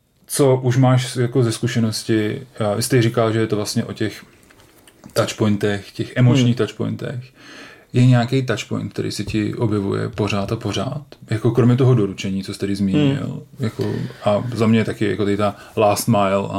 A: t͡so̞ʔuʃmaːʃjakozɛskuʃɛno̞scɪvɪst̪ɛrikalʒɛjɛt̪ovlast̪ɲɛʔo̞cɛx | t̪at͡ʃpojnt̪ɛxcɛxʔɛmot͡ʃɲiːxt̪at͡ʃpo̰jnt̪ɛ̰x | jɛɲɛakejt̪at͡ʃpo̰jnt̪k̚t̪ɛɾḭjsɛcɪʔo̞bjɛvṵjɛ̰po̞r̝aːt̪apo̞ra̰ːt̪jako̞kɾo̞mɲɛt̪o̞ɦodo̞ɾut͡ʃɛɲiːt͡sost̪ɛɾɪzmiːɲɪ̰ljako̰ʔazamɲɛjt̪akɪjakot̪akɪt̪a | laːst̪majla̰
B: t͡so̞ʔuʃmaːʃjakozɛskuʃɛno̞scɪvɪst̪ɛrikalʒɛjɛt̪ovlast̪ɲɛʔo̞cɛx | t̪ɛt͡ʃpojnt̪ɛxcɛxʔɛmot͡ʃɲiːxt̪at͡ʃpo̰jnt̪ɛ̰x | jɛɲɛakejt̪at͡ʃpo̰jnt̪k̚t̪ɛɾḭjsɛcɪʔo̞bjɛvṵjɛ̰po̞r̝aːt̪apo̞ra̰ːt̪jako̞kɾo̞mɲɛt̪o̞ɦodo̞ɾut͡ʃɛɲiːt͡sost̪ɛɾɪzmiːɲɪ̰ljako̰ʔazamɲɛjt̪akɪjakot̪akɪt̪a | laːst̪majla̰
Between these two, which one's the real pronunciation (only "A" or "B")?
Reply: A